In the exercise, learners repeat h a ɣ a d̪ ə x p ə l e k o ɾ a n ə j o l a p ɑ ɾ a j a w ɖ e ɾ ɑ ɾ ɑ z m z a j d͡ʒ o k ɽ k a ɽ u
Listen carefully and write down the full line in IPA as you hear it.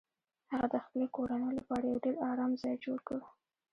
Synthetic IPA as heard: h a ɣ a d̪ ə x p ə l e k o ɾ a n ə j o l a p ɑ ɾ a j a w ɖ e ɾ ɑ ɾ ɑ m z ɑ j d͡ʒ o ɽ k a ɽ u